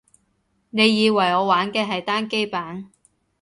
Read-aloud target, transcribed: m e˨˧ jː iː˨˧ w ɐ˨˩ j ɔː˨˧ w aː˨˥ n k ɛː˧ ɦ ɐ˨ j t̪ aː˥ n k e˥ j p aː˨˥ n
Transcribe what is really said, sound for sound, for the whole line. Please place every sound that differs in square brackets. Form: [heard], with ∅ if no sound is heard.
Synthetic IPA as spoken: [n] e˨˧ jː iː˨˧ w ɐ˨˩ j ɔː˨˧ w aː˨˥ n k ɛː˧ ɦ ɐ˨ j t̪ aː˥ n k e˥ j p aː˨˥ n